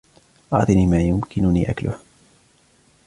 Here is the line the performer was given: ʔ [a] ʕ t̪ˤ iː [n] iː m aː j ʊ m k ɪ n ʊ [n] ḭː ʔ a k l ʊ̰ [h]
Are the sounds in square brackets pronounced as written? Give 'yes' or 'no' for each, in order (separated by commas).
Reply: no, yes, yes, yes